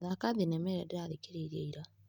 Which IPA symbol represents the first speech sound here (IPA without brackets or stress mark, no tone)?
ð